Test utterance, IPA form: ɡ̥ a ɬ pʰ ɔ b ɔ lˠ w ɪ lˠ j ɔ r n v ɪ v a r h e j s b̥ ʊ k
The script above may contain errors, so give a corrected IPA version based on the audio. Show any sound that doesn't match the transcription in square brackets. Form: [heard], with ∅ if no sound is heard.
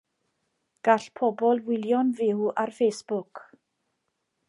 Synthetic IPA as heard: ɡ̥ a ɬ pʰ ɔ b ɔ lˠ w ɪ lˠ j ɔ [∅] n v ɪ [w] a r [f] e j s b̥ ʊ k